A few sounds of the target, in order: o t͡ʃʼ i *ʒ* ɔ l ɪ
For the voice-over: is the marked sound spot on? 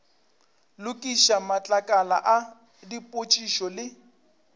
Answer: no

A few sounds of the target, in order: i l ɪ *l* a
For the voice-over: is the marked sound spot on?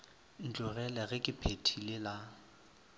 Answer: yes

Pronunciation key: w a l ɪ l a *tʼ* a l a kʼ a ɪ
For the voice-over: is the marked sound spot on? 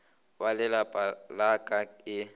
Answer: no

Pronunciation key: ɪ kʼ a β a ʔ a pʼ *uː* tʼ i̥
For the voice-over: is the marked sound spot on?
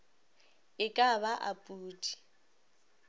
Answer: yes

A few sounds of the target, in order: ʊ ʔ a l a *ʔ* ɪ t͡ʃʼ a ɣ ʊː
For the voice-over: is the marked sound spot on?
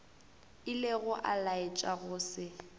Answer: no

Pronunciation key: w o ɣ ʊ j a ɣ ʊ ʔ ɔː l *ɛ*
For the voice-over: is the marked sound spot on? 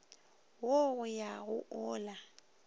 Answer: no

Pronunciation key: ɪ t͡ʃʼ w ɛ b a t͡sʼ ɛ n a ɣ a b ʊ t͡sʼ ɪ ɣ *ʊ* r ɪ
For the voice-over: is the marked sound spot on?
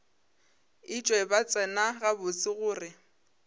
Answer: no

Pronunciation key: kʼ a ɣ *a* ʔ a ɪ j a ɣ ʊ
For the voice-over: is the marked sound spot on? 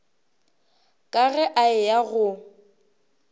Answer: no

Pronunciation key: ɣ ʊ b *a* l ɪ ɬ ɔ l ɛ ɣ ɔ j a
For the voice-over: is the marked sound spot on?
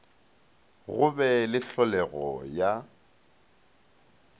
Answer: no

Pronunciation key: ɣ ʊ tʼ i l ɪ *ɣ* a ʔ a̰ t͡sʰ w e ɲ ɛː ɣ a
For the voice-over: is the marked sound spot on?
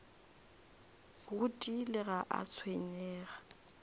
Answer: yes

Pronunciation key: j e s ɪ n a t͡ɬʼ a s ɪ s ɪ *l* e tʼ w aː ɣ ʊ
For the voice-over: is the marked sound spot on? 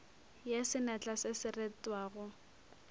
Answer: no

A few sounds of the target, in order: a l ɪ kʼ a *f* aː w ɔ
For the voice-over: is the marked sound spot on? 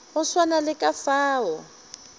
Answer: yes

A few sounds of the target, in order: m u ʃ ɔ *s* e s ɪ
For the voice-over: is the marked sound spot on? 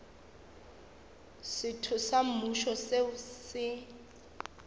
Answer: yes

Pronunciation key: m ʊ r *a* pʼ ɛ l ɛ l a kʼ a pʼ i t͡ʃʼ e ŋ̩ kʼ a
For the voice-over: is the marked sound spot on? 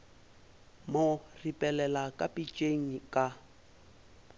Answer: no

